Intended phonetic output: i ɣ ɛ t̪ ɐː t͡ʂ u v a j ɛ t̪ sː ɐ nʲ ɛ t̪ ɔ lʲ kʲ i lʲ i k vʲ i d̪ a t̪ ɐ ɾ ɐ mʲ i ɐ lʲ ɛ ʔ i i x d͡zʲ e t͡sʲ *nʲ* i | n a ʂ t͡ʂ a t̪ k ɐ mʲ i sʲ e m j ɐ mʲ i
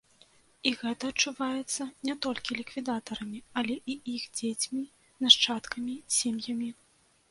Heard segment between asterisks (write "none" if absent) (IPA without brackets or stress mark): mʲ